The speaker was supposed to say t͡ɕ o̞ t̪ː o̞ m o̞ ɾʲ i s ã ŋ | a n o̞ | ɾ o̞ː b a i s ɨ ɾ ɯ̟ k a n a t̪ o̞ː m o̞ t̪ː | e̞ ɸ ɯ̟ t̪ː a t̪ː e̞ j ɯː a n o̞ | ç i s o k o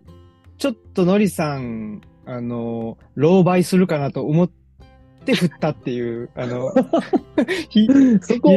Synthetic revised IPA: t͡ɕ o̞ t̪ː o̞ n o̞ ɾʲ i s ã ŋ | a n o̞ | ɾ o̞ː b a i s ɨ ɾ ɯ̟ k a n a t̪ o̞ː m o̞ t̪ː | e̞ ɸ ɯ̟ t̪ː a t̪ː e̞ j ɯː a n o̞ | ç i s o k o